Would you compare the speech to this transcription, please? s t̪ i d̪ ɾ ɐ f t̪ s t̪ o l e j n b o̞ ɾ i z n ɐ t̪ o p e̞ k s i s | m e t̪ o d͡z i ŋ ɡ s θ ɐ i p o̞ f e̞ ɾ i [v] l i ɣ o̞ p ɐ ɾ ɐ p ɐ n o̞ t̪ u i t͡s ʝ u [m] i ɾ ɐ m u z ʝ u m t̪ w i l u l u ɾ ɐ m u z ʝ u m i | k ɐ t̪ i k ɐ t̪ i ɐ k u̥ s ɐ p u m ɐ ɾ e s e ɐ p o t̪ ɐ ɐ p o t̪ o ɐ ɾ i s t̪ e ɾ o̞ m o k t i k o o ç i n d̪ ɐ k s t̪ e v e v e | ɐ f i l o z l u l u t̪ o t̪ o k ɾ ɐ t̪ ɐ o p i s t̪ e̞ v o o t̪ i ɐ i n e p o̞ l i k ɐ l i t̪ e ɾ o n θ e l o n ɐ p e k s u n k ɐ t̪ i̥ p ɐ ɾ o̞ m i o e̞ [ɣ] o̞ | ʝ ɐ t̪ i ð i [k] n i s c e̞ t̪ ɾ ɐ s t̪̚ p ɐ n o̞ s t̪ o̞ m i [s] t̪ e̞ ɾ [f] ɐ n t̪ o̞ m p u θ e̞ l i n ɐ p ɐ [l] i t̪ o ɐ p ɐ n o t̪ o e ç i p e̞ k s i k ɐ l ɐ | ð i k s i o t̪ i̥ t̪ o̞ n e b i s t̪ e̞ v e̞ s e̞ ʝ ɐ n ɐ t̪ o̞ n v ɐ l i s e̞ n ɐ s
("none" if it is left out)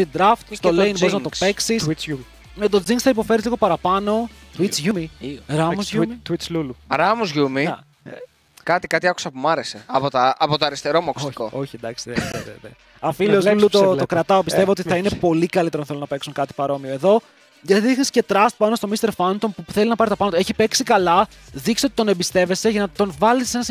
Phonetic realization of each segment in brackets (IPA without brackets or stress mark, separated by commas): z, m, ð, x, s, f, ɾ